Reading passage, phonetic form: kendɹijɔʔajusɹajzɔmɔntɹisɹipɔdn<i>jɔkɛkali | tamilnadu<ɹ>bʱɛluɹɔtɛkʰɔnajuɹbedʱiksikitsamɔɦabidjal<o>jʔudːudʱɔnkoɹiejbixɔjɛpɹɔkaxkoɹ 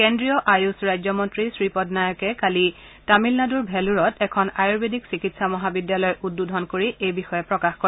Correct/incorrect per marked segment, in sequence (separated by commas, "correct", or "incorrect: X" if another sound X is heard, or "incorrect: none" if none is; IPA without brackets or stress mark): incorrect: a, correct, incorrect: ɔ